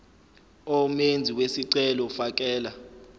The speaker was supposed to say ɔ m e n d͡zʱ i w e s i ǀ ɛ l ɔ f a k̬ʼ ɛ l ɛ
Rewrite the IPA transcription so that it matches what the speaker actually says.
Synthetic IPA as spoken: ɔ m e n d͡zʱ i w e s i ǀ ɛ l ɔ f a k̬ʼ ɛː l a